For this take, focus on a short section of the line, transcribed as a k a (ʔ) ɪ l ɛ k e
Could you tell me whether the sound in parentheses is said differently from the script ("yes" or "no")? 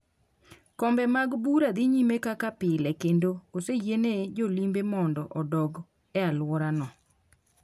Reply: yes